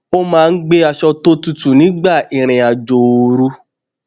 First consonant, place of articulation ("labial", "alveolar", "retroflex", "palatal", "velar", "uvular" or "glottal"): labial